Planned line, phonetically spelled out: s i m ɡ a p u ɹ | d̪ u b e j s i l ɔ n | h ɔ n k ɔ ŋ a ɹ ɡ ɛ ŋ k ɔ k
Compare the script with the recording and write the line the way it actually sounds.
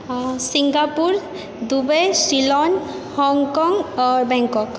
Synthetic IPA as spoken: s i ŋ ɡ a p u ɹ | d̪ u b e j s i l ɔ n | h ɔ ŋ k ɔ ŋ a ɹ b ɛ ŋ k ɔ k